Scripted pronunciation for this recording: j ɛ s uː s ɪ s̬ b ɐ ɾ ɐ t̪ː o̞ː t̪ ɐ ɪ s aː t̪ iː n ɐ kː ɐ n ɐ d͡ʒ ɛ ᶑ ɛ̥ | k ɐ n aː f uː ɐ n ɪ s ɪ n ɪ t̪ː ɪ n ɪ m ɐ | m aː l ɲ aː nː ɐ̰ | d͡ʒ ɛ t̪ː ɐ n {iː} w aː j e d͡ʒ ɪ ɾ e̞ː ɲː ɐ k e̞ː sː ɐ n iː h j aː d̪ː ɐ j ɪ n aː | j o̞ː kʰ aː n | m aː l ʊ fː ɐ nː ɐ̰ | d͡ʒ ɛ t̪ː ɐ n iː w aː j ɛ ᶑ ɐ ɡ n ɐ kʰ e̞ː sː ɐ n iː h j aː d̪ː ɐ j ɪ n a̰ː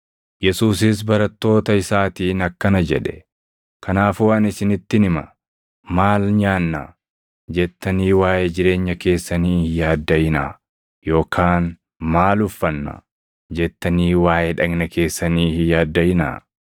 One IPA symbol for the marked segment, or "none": iː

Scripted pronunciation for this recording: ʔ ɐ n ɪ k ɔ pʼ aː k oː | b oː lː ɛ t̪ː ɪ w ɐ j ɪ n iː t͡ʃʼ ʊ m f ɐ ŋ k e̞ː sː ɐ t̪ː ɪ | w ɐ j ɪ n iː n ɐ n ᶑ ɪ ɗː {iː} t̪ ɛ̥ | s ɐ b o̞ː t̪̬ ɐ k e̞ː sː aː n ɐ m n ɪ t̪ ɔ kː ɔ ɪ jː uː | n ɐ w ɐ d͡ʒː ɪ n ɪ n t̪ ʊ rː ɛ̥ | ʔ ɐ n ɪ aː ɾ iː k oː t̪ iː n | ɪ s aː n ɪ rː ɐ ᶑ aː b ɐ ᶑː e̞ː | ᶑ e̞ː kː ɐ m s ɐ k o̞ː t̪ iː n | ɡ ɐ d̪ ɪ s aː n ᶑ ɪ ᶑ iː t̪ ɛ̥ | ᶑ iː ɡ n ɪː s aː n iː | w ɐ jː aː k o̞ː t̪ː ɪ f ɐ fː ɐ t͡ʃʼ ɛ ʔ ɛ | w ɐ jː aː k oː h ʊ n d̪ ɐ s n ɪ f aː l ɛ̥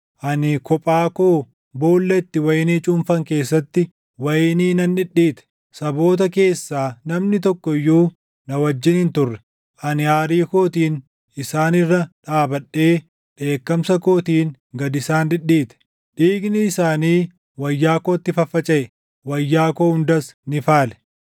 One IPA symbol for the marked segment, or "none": iː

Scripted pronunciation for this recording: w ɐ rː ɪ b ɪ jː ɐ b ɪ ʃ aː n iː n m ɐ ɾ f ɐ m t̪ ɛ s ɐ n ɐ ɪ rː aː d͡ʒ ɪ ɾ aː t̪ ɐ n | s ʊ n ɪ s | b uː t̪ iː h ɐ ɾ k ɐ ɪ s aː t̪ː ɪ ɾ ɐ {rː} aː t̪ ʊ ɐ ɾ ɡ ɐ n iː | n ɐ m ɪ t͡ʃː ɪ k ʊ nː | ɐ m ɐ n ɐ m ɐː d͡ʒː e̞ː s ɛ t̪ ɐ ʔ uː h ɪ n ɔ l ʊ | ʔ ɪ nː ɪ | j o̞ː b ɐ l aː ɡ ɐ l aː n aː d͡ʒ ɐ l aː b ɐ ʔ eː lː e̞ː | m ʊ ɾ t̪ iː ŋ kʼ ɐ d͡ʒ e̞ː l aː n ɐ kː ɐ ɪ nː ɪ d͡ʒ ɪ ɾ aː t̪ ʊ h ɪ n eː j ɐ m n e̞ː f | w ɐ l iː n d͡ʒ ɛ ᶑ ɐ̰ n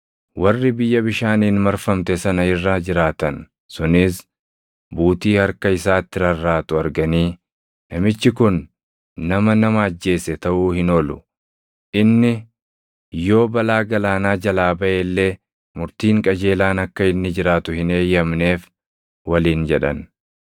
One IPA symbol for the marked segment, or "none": rː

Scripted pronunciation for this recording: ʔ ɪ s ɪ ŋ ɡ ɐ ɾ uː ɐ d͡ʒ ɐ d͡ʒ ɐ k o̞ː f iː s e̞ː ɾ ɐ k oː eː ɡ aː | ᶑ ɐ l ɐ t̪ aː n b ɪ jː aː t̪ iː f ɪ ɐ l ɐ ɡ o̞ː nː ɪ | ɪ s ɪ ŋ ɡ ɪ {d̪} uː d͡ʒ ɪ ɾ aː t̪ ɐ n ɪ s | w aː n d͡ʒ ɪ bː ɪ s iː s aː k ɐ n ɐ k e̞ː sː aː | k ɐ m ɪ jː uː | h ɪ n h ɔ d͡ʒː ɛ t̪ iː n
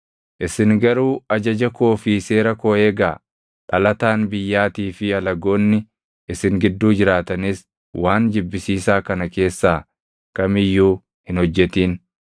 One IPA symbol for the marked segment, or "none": d̪ː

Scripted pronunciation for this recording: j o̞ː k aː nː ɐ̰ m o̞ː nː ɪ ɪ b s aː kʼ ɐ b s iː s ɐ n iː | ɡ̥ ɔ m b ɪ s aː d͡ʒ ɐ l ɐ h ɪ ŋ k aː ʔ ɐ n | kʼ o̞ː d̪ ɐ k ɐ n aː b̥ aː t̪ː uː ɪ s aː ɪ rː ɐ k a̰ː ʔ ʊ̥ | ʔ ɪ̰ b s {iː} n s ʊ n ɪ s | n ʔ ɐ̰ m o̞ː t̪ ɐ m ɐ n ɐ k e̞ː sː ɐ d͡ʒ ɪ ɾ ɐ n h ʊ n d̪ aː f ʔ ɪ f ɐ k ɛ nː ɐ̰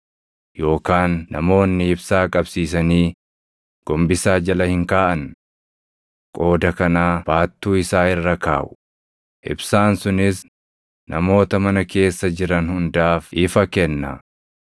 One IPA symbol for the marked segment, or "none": aː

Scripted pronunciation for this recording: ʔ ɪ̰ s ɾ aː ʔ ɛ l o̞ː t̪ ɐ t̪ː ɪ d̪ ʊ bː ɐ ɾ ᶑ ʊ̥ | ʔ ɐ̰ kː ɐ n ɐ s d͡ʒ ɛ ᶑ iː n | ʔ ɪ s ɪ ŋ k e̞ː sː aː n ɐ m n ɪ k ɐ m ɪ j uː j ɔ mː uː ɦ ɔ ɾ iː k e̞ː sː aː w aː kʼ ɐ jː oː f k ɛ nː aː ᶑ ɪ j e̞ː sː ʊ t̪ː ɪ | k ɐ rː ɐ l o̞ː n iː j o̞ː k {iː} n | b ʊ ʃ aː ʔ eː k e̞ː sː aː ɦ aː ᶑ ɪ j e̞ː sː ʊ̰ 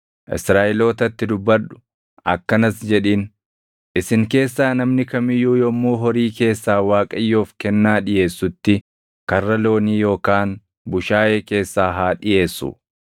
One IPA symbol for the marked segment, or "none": aː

